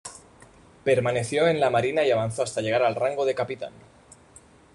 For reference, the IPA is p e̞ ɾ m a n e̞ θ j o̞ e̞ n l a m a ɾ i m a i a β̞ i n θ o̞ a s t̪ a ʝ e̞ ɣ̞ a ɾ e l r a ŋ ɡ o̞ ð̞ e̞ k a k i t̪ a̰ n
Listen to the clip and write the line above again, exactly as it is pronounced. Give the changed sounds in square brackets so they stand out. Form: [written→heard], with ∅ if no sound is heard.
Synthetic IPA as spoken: p e̞ ɾ m a n e̞ θ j o̞ e̞ n l a m a ɾ i [m→n] a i a β̞ [i→a] n θ o̞ a s t̪ a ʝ e̞ ɣ̞ a ɾ [e→a] l r a ŋ ɡ o̞ ð̞ e̞ k a [k→p] i t̪ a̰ n